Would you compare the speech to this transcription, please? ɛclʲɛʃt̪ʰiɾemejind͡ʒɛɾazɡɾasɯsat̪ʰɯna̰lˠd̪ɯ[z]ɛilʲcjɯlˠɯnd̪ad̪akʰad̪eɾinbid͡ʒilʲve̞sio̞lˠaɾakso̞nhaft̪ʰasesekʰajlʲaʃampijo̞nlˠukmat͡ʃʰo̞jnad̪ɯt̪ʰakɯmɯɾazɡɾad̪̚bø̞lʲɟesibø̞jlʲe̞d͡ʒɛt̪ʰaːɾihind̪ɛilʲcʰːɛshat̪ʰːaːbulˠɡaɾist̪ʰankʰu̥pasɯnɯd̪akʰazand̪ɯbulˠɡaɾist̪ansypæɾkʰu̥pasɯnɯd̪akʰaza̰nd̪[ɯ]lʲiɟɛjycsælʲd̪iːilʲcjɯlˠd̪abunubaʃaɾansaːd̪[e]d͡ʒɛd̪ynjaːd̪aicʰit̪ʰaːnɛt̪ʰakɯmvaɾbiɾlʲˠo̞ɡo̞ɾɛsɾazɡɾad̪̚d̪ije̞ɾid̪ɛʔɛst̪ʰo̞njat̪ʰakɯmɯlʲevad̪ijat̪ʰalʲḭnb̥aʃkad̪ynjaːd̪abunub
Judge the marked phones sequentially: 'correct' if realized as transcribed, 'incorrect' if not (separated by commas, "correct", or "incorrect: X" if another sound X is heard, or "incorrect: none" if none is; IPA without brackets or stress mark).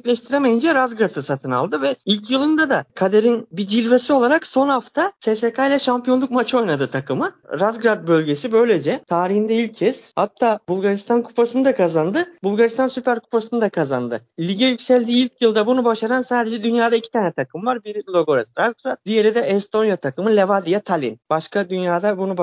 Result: incorrect: v, correct, correct